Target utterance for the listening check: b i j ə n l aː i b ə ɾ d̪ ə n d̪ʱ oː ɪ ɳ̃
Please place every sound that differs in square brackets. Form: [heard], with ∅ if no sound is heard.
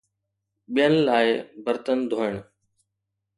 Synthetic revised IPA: [ɓ] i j ə n l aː [ɪ] b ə ɾ [t̪] ə n d̪ʱ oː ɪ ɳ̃